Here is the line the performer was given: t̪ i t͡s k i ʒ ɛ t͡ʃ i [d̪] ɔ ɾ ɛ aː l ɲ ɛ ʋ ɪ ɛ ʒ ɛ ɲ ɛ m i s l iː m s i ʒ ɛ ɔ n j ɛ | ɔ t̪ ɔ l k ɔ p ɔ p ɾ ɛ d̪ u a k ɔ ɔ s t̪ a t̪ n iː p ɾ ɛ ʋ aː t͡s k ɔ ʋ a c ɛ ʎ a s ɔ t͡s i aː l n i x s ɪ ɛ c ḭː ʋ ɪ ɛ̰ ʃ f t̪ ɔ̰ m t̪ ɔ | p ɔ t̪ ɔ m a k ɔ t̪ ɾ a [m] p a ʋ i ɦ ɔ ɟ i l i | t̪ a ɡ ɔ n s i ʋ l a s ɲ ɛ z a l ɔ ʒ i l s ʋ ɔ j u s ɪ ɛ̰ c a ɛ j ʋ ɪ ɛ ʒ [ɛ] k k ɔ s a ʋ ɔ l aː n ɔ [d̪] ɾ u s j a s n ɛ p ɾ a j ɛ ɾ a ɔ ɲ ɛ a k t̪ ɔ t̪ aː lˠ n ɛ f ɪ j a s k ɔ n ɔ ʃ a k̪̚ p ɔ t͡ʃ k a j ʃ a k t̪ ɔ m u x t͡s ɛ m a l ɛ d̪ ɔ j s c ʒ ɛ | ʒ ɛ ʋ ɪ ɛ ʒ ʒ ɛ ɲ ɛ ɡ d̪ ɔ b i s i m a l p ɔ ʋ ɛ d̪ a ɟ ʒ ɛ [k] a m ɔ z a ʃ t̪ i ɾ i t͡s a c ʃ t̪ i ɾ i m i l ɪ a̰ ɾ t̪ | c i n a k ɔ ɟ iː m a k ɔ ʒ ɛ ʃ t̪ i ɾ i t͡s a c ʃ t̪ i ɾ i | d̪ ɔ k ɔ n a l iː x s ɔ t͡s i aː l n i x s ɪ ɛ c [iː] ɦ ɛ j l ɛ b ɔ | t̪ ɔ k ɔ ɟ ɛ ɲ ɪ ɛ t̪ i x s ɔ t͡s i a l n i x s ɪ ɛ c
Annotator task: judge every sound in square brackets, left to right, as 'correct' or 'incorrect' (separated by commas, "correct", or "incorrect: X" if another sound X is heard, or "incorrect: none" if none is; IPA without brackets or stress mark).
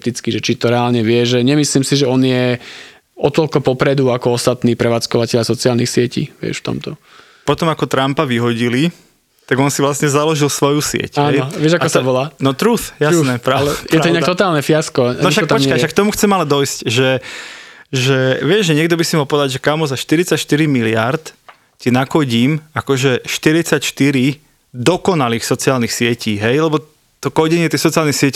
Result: incorrect: t̪, correct, incorrect: a, incorrect: t̪, correct, correct